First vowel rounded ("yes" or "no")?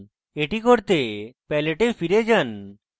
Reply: no